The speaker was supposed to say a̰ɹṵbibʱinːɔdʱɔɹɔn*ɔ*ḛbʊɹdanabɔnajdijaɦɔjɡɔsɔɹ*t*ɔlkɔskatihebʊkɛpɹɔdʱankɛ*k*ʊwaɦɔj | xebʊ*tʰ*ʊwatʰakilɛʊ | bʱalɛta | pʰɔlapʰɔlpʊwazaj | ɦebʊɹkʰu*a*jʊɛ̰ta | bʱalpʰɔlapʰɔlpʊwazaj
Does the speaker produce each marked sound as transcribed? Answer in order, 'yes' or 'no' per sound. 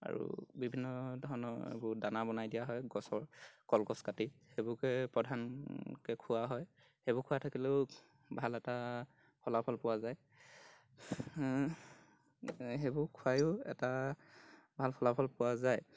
yes, no, no, no, yes

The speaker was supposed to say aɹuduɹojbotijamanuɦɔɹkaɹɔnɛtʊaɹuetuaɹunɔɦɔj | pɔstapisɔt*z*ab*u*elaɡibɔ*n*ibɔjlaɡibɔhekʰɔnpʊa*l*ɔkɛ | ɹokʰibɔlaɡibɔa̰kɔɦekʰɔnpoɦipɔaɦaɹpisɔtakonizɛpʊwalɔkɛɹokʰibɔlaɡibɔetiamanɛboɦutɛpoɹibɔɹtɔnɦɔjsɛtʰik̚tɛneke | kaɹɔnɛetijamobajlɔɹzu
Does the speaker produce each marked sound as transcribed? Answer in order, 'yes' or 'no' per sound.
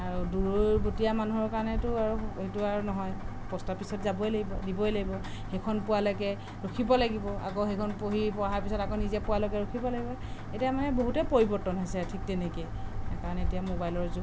yes, no, no, yes

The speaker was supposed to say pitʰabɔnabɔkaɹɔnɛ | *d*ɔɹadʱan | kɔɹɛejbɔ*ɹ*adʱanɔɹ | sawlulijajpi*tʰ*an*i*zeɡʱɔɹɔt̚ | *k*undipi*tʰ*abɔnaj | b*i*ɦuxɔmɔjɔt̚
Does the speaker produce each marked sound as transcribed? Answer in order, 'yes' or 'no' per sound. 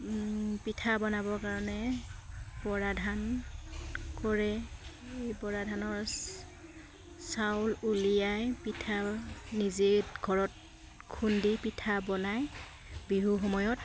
no, yes, yes, yes, no, yes, yes

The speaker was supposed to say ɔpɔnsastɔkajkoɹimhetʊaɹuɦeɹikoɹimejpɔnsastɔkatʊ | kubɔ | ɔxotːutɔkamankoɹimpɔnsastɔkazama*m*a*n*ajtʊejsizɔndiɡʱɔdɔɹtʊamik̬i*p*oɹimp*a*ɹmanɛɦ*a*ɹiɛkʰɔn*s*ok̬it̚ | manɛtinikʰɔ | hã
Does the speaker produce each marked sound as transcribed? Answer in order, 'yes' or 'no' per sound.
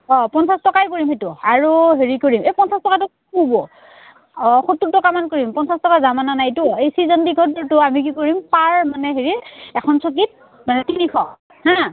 no, yes, no, yes, no, yes

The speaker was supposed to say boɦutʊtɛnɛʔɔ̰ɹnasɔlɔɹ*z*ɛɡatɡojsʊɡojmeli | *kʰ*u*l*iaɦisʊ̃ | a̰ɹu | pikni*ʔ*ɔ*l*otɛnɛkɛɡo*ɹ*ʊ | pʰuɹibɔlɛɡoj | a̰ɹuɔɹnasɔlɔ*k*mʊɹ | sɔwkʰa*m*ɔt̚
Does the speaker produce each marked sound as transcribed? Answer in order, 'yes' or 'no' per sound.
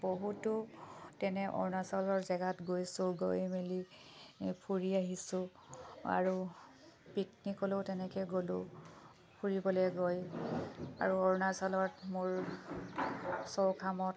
yes, no, no, no, yes, no, no, yes

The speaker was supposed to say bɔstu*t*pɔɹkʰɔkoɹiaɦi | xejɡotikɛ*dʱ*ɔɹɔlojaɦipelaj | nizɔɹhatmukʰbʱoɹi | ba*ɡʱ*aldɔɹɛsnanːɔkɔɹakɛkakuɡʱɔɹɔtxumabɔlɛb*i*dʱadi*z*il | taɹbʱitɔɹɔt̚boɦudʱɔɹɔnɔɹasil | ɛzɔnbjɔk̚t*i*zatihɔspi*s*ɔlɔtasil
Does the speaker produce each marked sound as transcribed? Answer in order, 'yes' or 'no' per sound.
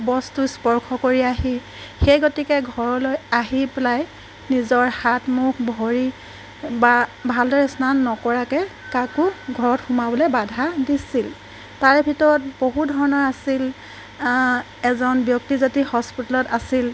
no, no, no, no, no, yes, no

